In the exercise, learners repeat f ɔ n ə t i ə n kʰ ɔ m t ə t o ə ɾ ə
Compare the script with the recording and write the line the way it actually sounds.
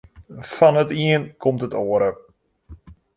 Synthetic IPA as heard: f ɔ n ə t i ə n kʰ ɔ m t ə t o ə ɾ ə

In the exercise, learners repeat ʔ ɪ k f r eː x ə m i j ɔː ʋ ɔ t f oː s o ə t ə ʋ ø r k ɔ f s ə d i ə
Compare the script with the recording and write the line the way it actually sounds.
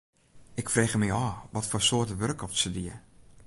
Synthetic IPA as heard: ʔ ɪ k f r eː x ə m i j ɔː ʋ ɔ t f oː s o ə t ə ʋ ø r k ɔ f s ə d i ə

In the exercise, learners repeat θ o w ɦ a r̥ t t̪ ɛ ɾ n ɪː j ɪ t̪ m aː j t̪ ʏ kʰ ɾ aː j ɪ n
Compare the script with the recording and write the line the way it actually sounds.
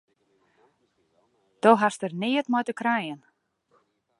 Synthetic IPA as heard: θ o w ɦ a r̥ s t̪ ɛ ɾ n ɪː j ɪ t̪ m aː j t̪ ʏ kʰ ɾ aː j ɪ n

